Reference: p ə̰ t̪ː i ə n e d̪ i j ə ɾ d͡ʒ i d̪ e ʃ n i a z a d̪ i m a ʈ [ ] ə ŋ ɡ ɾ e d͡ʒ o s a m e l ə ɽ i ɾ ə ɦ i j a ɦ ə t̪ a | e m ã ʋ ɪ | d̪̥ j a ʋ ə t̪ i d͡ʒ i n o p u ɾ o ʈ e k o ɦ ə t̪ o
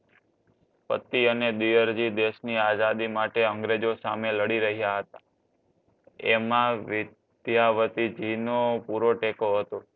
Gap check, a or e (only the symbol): e